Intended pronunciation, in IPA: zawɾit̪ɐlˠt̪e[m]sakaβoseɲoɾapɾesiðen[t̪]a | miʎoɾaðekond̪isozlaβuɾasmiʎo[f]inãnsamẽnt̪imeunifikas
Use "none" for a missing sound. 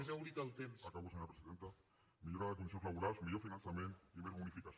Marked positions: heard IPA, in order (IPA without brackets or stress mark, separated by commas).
m, t̪, f